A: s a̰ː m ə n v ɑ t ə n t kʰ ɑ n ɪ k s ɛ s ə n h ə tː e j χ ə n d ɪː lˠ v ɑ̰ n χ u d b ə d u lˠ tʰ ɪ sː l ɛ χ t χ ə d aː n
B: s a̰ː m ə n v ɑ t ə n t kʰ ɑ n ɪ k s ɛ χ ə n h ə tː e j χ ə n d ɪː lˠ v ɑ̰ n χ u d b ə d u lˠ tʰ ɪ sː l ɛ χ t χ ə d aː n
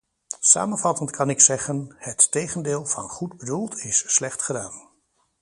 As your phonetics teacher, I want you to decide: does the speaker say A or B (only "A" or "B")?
B